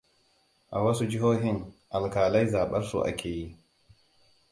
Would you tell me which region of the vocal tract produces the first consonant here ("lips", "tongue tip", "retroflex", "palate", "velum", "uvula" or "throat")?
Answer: throat